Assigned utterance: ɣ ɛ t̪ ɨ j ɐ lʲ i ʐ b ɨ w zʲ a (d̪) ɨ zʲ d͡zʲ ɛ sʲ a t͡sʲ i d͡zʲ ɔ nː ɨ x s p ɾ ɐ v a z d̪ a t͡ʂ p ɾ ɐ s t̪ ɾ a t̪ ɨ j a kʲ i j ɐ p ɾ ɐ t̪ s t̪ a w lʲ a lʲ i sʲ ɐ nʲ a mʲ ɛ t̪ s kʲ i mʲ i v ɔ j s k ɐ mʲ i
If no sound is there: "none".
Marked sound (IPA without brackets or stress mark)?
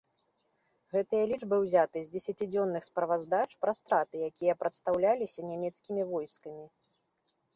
t̪